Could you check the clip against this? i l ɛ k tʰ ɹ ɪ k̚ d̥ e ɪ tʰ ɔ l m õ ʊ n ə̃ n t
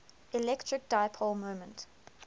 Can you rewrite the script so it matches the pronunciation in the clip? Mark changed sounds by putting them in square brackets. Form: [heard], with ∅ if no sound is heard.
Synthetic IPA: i l ɛ k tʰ ɹ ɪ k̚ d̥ [a] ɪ [pʰ] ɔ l m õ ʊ [m] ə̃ n t